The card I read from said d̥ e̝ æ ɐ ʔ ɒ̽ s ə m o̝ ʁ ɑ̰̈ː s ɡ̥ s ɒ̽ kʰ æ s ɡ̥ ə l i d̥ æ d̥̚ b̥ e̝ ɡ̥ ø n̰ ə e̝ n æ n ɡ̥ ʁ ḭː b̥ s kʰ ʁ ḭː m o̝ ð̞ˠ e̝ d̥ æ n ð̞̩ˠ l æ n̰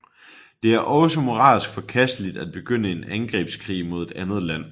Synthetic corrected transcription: d̥ e̝ æ ɐ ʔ ɒ̽ s ə m o̝ ʁ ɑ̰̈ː s ɡ̥ f ɒ̽ kʰ æ s d̥ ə l i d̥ æ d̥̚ b̥ e̝ ɡ̥ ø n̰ ə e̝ n æ n ɡ̥ ʁ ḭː b̥ s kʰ ʁ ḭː m o̝ ð̞ˠ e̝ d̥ æ n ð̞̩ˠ l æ n̰